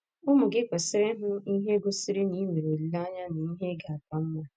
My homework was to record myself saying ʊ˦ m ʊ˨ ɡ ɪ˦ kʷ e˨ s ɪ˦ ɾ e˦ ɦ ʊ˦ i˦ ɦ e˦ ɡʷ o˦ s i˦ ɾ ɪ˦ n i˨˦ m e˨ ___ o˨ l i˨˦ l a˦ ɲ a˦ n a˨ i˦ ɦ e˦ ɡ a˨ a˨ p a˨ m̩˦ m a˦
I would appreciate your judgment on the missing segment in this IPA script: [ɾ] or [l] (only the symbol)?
ɾ